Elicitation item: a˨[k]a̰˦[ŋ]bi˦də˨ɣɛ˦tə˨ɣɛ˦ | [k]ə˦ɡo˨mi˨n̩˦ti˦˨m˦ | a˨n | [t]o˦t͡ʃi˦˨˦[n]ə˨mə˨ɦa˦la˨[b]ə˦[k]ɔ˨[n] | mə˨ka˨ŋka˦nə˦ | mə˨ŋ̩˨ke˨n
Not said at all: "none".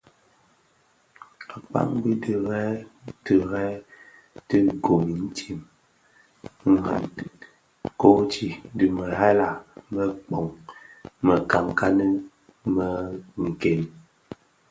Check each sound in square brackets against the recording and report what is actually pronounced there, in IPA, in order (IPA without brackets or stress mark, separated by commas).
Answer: k͡p, ŋ, t, k, d, m, k͡p, ŋ